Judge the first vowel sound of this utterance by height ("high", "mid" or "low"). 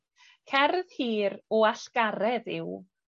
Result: mid